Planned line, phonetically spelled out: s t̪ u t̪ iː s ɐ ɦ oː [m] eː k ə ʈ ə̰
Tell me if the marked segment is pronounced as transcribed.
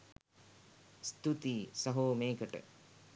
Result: yes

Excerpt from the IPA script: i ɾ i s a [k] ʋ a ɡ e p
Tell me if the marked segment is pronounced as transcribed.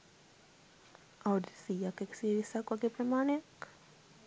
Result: yes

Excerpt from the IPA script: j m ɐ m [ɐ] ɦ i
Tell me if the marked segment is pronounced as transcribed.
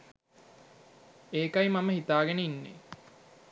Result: no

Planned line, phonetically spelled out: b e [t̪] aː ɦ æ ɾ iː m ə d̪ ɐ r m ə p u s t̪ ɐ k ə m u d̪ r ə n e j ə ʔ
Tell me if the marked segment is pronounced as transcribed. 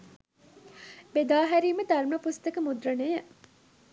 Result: no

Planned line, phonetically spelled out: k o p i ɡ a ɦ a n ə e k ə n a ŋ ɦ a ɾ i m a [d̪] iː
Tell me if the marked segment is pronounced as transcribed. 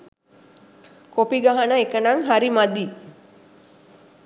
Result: yes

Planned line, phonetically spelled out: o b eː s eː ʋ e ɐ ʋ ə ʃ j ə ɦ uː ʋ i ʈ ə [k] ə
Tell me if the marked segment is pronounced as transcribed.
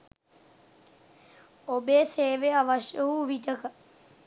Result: yes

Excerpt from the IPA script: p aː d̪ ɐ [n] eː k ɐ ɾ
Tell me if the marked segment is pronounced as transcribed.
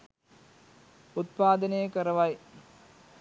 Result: yes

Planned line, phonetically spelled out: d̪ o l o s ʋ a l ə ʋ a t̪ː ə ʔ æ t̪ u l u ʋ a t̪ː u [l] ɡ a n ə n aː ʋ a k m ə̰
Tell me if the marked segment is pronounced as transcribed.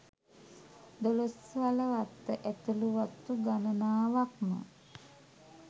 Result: no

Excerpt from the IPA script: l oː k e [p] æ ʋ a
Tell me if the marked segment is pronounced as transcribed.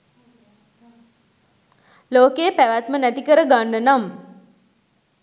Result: yes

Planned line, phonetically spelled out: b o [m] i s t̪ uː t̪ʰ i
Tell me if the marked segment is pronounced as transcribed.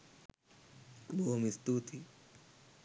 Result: yes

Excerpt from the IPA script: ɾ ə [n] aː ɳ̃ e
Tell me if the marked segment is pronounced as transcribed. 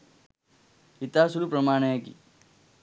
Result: no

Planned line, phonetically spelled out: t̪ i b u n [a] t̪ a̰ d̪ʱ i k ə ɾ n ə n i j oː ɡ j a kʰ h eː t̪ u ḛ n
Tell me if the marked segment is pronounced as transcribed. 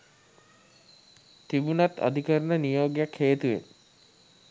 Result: yes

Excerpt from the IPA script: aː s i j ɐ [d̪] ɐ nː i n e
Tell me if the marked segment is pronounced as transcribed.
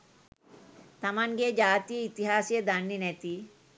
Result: yes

